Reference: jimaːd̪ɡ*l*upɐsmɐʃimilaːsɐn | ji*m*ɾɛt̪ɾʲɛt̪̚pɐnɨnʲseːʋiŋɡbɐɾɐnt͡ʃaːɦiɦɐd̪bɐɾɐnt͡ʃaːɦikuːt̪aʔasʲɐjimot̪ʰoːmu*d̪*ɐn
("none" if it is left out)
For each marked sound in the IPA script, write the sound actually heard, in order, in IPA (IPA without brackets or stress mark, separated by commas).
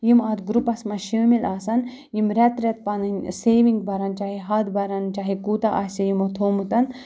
ɾ, m, t̪